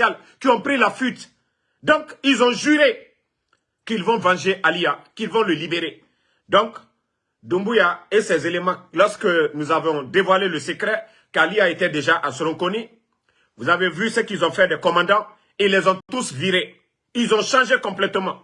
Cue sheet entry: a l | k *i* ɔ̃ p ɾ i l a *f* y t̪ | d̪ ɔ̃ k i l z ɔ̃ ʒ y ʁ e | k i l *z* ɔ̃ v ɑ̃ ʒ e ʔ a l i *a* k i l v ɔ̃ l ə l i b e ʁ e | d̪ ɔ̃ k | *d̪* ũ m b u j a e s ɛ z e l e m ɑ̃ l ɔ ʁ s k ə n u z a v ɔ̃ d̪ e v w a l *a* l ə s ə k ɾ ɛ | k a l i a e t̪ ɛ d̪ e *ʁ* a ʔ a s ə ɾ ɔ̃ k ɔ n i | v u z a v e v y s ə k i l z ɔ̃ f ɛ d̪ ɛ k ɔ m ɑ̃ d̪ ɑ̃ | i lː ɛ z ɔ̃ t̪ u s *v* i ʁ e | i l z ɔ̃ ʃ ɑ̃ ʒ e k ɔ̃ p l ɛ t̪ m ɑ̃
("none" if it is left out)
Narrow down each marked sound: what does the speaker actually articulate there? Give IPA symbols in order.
i, f, v, a, d̪, e, ʒ, v

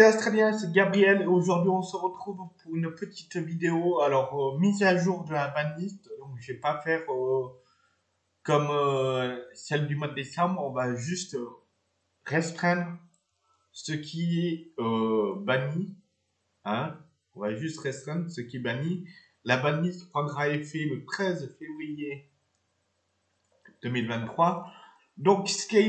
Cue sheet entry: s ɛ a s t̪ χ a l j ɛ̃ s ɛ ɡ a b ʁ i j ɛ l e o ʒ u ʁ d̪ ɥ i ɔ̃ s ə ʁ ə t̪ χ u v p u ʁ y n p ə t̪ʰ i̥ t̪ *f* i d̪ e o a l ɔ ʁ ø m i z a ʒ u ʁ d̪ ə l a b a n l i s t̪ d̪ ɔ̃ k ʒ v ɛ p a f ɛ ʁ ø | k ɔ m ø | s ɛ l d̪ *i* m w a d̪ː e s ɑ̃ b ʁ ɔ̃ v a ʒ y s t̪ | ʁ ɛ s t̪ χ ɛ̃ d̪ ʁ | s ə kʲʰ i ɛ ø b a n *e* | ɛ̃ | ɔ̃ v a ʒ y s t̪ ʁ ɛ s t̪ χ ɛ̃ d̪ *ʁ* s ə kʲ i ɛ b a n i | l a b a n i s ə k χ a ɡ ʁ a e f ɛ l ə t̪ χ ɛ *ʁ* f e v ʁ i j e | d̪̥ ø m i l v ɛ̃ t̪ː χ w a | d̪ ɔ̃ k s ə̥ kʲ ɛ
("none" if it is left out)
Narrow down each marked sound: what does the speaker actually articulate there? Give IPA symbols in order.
v, y, i, ʁ, z

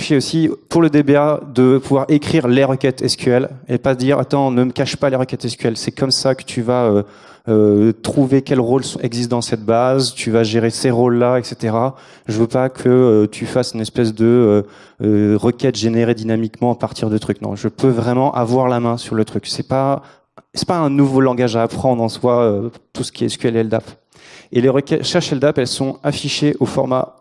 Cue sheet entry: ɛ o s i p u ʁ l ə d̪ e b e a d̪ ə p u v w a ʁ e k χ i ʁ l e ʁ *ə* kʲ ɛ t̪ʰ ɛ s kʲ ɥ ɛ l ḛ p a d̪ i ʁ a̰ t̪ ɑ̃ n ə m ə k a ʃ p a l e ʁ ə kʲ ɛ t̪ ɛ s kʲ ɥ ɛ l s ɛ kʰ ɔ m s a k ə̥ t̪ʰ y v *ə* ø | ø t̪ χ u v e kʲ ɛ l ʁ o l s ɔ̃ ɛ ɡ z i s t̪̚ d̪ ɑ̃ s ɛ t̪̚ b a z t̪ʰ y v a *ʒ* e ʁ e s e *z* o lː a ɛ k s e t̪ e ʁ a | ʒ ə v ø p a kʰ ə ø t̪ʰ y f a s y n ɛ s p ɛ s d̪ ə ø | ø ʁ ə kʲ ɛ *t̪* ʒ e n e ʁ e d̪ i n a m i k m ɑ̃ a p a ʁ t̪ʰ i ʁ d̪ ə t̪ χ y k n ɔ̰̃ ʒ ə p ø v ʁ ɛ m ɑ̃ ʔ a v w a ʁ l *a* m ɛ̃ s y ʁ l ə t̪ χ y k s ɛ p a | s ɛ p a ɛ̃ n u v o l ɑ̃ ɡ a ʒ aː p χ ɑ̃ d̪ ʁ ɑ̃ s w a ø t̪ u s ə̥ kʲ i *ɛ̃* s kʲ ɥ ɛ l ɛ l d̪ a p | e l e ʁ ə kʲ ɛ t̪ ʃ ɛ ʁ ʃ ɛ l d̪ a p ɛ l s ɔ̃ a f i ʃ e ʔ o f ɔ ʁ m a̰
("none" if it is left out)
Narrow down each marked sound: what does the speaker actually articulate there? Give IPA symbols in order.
ə, a, ʒ, ʁ, t̪, a, ɛ

